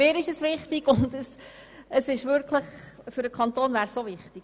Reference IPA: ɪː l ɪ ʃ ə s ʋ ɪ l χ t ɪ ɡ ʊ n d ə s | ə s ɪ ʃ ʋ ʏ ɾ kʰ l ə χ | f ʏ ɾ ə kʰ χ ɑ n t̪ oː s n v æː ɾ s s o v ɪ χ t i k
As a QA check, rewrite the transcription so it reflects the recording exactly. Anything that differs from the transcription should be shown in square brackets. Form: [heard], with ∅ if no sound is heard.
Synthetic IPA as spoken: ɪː [ɾ] ɪ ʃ ə s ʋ ɪ [∅] χ t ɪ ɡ ʊ n d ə s | ə s ɪ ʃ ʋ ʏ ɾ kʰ l ə χ | f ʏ ɾ ə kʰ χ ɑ n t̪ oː [∅] n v æː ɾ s s o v ɪ χ t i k